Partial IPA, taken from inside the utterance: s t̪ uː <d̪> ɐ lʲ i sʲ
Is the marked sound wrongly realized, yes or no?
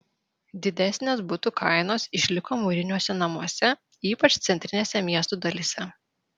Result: no